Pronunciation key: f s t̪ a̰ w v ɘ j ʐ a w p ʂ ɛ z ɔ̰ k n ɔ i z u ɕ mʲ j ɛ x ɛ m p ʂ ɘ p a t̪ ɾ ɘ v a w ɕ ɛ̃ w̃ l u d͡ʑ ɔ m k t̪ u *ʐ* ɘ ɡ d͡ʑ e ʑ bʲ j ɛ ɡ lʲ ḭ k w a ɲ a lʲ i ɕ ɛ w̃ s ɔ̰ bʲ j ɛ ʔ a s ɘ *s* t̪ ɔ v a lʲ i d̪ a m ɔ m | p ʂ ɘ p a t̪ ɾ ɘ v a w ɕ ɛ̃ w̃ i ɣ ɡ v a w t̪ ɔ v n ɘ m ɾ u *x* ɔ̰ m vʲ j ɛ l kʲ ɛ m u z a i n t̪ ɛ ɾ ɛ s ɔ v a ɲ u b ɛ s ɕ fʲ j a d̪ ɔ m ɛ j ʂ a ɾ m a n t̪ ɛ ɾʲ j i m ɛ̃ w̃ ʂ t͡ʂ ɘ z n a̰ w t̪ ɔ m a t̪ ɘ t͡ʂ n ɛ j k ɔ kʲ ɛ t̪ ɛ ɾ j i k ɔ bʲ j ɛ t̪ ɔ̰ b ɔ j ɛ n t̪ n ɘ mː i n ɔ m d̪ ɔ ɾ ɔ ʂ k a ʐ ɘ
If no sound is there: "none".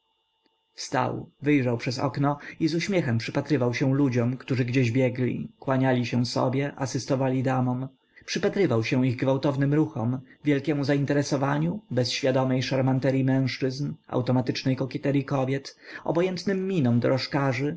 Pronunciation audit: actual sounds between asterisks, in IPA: ʐ, s, x

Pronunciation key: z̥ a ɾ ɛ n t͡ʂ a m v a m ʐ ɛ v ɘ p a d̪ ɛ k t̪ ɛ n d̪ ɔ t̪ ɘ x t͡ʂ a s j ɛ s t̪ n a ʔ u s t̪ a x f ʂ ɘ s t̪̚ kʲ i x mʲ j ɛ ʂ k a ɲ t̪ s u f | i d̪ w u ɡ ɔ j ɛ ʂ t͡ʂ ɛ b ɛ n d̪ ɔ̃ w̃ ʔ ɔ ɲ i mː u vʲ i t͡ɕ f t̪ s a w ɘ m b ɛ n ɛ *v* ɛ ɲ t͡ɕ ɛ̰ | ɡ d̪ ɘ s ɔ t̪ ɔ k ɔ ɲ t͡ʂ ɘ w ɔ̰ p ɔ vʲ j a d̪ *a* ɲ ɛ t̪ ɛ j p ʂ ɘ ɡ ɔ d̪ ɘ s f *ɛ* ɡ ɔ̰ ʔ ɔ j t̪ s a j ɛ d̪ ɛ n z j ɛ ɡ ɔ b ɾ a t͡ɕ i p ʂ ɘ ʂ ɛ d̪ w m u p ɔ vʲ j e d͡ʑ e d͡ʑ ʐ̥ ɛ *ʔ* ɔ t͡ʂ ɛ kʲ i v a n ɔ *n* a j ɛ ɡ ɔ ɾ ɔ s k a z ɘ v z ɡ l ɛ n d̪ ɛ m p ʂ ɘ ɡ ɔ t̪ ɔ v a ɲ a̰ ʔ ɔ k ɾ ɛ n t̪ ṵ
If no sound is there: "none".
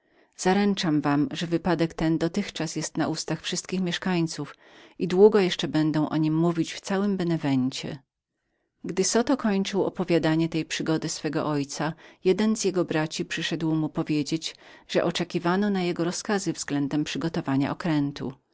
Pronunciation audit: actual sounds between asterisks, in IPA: v, a, ɛ, ʔ, n

